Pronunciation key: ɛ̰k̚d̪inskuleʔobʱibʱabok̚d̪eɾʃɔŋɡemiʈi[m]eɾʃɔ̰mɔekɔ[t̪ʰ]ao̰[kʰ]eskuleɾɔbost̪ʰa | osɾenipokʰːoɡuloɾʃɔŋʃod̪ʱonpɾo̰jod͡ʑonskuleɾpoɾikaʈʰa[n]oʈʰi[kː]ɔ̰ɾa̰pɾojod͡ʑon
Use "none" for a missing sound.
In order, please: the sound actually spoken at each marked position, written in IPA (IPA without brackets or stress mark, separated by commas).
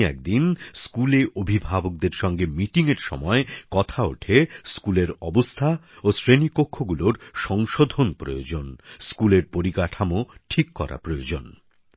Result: ŋ, t̪ʰ, ʈʰ, m, kː